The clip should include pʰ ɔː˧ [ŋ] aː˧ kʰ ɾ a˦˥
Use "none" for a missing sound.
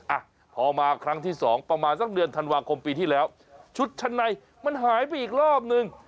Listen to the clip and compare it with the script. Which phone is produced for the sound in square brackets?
m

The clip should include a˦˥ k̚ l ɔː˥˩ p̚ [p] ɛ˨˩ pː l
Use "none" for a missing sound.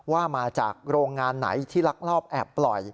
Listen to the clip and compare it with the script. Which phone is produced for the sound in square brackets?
ʔ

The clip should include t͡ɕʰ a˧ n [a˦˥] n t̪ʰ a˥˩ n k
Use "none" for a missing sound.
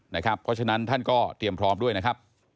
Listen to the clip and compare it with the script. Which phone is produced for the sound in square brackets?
a˦˥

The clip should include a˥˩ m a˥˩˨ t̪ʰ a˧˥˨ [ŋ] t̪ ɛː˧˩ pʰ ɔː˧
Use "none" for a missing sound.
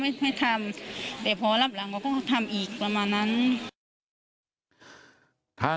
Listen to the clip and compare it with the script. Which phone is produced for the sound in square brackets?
m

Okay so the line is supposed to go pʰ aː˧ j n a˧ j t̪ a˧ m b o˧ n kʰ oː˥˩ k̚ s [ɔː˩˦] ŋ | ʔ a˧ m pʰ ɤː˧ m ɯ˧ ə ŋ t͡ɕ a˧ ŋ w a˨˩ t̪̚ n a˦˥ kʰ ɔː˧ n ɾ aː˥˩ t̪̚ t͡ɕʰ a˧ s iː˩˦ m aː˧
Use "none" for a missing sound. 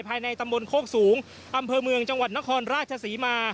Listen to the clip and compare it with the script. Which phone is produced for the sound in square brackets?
uː˩˦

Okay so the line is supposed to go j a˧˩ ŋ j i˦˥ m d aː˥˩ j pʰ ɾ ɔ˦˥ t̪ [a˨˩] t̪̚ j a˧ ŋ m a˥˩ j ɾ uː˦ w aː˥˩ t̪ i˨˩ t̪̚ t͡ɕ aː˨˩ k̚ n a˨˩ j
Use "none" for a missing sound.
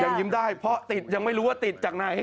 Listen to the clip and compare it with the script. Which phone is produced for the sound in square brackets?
i˨˩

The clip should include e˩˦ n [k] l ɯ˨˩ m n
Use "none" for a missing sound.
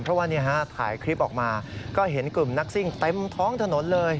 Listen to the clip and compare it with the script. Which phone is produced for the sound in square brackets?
k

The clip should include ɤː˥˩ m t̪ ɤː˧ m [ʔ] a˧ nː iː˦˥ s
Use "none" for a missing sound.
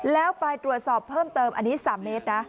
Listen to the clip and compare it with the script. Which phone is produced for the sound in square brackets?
ʔ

